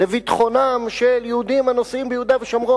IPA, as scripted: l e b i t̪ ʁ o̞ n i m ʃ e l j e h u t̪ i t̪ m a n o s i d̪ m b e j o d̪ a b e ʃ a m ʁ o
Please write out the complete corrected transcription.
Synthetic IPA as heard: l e v i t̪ χ o̞ n a m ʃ e l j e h u d̪ i m a n o s i m b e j u d̪ a v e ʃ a m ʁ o